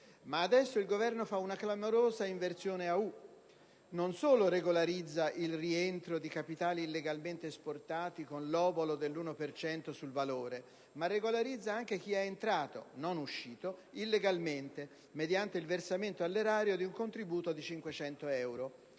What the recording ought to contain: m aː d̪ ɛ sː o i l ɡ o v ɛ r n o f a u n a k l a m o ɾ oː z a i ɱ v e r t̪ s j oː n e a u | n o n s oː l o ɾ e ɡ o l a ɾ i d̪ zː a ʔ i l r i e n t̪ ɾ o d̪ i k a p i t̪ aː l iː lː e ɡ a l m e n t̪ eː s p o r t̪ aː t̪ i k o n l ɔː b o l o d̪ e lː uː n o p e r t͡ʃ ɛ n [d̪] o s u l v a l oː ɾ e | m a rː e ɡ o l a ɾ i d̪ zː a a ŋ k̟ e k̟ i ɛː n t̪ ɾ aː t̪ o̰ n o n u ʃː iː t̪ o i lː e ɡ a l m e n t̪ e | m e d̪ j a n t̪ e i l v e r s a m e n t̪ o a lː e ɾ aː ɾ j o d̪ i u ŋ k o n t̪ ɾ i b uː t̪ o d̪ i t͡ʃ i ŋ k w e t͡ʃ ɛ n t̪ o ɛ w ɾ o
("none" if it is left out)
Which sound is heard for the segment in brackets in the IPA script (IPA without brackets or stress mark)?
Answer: t̪